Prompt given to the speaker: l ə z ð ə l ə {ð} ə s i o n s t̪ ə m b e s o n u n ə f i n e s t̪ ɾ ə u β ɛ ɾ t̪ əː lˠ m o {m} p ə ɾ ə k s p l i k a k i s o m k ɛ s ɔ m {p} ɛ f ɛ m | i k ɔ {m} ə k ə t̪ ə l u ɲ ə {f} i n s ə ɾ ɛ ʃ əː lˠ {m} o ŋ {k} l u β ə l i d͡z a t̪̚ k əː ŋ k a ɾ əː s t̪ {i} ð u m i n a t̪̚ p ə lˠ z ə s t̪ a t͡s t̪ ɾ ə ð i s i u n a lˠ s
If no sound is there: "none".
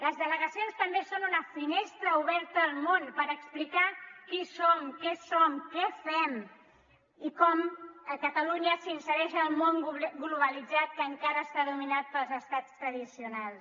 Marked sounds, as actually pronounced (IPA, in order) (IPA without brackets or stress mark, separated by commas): ɣ, n, k, m, s, m, ɡ, a